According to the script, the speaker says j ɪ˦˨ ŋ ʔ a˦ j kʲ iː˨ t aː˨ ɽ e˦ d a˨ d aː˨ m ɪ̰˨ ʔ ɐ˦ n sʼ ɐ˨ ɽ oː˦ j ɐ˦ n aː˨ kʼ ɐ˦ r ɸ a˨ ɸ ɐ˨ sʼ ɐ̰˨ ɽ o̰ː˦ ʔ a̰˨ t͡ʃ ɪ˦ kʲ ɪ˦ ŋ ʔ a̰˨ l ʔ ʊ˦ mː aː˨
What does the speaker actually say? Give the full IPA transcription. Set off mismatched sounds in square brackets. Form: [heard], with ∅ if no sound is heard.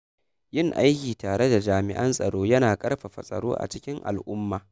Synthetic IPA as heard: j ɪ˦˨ ŋ ʔ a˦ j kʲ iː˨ t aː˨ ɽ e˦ d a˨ [d͡ʒ] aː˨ m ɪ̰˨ ʔ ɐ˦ n sʼ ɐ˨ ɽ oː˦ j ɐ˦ n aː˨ kʼ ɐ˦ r ɸ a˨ ɸ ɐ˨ sʼ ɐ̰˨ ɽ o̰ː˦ ʔ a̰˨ t͡ʃ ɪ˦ kʲ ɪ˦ ŋ ʔ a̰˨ l ʔ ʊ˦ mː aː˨

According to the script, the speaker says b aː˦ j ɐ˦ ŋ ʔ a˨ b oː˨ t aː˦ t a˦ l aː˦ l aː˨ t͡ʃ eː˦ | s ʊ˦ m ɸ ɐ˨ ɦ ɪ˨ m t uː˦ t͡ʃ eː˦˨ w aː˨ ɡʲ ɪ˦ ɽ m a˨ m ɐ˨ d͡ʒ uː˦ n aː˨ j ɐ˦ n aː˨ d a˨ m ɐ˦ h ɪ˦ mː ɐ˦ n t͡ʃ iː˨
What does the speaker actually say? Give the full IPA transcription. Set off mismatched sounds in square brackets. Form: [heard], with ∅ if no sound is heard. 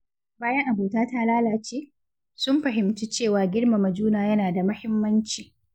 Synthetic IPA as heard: b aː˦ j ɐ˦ ŋ ʔ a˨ b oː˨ t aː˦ t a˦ l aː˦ l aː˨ t͡ʃ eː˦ | s ʊ˦ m ɸ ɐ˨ ɦ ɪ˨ m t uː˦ t͡ʃ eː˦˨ w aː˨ ɡʲ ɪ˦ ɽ m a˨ m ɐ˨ d͡ʒ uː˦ n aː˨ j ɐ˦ n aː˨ d a˨ m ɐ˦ h ɪ˦ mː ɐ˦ n t͡ʃ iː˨

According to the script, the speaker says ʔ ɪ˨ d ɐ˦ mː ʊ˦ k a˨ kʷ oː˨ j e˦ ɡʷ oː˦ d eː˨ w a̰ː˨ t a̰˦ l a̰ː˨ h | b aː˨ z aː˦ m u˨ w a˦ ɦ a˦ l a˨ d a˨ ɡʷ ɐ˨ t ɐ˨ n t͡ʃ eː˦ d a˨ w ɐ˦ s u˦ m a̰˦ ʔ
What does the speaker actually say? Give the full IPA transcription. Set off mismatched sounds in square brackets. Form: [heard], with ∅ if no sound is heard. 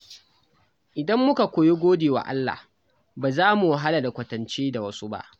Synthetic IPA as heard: ʔ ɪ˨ d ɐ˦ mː ʊ˦ k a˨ kʷ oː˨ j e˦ ɡʷ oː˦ d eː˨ w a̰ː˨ [ʔ] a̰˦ [lː] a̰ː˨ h | b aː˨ z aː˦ m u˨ w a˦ ɦ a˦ l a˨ d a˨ [kʷ] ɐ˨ t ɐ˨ n t͡ʃ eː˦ d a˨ w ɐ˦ s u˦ [b] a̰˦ ʔ

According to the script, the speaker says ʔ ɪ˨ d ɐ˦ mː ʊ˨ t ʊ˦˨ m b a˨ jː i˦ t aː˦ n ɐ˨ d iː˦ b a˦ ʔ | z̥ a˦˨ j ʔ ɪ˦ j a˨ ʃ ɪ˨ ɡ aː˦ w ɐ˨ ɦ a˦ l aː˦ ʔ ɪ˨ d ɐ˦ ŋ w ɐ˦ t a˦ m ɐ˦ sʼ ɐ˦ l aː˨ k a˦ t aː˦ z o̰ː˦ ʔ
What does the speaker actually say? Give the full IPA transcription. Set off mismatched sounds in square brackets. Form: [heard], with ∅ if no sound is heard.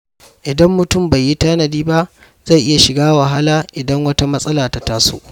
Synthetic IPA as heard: ʔ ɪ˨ d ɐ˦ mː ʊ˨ t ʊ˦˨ m b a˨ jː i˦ t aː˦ n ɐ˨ d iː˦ b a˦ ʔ | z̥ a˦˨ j ʔ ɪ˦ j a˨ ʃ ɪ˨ ɡ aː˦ w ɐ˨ ɦ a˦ l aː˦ ʔ ɪ˨ d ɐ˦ ŋ w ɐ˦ t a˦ m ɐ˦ sʼ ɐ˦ l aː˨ [t] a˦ t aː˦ [s] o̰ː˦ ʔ

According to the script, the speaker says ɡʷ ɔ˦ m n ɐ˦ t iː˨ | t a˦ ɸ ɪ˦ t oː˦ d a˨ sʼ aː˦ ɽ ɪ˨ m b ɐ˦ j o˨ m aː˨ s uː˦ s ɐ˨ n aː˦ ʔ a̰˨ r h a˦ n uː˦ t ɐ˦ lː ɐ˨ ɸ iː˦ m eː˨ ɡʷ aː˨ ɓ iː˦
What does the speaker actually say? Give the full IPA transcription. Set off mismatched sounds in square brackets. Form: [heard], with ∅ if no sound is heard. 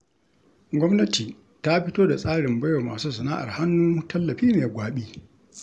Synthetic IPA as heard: ɡʷ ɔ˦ m n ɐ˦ t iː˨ | t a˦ ɸ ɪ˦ t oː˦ d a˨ sʼ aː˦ ɽ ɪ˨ m b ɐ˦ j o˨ m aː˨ s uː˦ s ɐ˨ n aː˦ ʔ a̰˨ r h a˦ [nː] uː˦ t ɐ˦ lː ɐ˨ ɸ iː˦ m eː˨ ɡʷ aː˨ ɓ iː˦

